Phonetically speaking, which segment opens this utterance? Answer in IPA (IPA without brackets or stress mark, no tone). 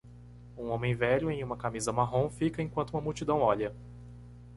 ũ